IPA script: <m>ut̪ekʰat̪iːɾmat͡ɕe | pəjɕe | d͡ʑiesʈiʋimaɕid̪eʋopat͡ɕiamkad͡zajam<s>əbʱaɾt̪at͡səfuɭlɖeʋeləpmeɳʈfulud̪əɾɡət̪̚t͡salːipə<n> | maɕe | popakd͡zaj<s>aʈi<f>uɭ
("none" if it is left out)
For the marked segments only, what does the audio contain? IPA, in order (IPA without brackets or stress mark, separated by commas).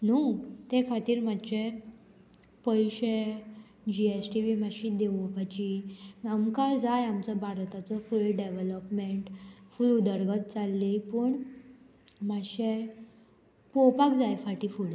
n, t͡s, ɳ, f, f